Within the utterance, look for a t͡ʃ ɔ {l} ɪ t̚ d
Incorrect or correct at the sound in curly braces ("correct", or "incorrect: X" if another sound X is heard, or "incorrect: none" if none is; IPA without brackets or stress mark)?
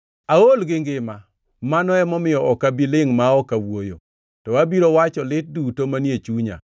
correct